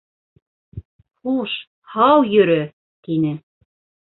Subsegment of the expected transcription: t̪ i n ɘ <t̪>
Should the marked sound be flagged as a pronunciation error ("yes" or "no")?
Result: yes